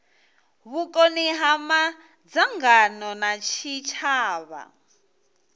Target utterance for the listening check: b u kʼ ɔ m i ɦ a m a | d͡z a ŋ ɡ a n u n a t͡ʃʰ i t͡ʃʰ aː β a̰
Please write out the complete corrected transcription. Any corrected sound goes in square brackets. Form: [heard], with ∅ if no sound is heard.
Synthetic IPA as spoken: [β] u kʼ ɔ [n] i ɦ a m a | d͡z a ŋ ɡ a n [ɔ] n a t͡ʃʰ i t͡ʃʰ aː β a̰